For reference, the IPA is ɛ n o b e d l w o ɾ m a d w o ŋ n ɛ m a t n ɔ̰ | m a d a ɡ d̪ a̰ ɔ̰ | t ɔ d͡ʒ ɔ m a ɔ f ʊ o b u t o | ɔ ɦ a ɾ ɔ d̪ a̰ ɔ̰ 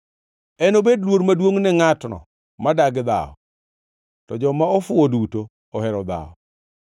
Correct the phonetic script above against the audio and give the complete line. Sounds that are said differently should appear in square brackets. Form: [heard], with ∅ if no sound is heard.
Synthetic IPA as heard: ɛ n o b e d l w o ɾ m a d w o ŋ n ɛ [ŋ] a t n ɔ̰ | m a d a ɡ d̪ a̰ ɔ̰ | t ɔ d͡ʒ ɔ m a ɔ f ʊ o [d] u t o | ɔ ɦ [ɛ] ɾ ɔ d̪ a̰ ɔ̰

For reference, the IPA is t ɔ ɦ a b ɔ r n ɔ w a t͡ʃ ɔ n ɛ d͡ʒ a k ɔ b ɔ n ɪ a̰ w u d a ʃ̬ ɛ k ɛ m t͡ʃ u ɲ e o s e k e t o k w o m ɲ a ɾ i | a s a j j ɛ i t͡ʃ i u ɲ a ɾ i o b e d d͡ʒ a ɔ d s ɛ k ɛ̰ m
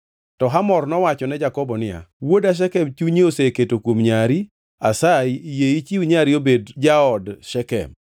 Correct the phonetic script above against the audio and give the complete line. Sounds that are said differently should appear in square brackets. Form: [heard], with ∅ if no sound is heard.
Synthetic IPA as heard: t ɔ ɦ a [m] ɔ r n ɔ w a t͡ʃ ɔ n ɛ d͡ʒ a k ɔ b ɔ n ɪ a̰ w [o] d a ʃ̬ ɛ k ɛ m t͡ʃ u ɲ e o s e k e t o k w o m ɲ a ɾ i | a s a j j [e] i t͡ʃ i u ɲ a ɾ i o b e d d͡ʒ a ɔ d [ʃ] ɛ k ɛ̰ m

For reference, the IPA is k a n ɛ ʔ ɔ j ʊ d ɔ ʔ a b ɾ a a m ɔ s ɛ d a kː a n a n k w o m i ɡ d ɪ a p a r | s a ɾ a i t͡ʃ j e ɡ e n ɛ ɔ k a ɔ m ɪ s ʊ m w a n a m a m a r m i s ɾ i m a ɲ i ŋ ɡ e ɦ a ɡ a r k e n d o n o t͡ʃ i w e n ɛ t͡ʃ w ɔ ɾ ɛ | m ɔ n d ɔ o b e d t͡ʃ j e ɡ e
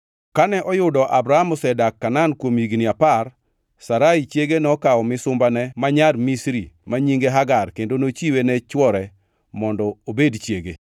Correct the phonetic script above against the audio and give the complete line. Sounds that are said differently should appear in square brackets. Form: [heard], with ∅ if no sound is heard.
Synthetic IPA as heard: k a n ɛ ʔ ɔ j ʊ d ɔ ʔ a b ɾ a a m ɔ s ɛ d a kː a n a n k w o m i ɡ [n] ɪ a p a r | s a ɾ a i t͡ʃ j e ɡ e n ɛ ɔ k a ɔ m ɪ s ʊ m [b] a n [ɛ] m a [ɲ] a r m i s ɾ i m a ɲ i ŋ ɡ e ɦ a ɡ a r k e n d o n o t͡ʃ i w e n ɛ t͡ʃ w ɔ ɾ ɛ | m ɔ n d ɔ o b e d t͡ʃ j e ɡ e

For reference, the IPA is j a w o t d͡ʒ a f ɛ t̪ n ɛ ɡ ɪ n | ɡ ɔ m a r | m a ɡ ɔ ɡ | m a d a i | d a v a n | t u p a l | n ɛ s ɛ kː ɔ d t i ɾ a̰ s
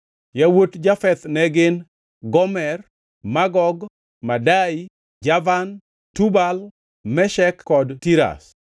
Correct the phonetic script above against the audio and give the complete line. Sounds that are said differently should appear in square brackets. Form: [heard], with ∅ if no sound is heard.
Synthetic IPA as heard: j a w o t d͡ʒ a f ɛ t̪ n ɛ ɡ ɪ n | ɡ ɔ m [ɛ] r | m a ɡ ɔ ɡ | m a d a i | [d͡ʒ] a v a n | t u [b] a l | [m] ɛ [ʃ] ɛ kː ɔ d t i ɾ a̰ s

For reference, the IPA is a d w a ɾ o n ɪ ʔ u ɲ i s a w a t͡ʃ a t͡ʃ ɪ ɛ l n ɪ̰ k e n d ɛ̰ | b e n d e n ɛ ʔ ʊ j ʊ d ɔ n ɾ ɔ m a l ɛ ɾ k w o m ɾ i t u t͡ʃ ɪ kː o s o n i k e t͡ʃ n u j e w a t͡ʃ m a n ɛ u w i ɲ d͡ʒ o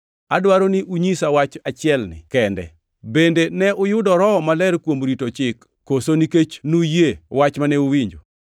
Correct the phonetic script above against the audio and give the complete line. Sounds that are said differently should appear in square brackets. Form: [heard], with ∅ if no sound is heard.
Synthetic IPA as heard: a d w a ɾ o n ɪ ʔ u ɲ i s a w a t͡ʃ a t͡ʃ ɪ ɛ l n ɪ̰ k [ɛ] n d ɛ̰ | b e n d e n ɛ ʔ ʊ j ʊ d ɔ [∅] ɾ ɔ m a l ɛ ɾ k w o m ɾ i t [o] t͡ʃ ɪ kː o s o n i k e t͡ʃ n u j e w a t͡ʃ m a n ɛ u w i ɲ d͡ʒ o

